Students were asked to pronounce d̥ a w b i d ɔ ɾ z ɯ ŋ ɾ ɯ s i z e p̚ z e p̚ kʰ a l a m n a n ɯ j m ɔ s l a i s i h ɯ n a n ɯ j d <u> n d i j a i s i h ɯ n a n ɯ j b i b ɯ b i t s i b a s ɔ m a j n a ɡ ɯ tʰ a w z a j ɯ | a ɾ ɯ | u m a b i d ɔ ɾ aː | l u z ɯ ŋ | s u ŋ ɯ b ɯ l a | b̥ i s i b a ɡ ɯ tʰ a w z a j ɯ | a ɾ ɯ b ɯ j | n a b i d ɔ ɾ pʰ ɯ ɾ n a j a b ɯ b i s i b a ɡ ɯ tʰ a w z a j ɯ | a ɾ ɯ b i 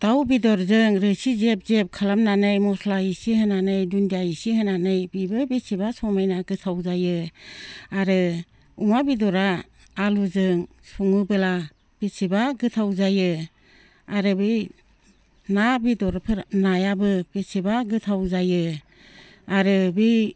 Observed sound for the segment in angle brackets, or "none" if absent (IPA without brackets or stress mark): u